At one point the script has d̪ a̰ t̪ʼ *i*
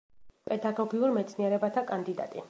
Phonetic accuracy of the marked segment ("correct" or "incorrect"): correct